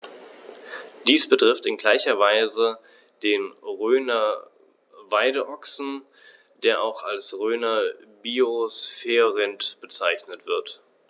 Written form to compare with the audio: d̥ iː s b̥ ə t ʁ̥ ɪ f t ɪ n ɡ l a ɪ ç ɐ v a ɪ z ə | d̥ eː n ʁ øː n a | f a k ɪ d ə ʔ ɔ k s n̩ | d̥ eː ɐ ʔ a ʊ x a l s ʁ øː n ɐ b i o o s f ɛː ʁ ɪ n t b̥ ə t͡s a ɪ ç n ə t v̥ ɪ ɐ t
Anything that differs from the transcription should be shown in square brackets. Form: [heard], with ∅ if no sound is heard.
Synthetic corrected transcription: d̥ iː s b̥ ə t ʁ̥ ɪ f t ɪ n ɡ l a ɪ ç ɐ v a ɪ z ə | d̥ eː n ʁ øː n [ɐ] | [v] a [∅] ɪ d ə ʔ ɔ k s n̩ | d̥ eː ɐ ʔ a ʊ x a l s ʁ øː n ɐ b i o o s f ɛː ʁ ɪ n t b̥ ə t͡s a ɪ ç n ə t v̥ ɪ ɐ t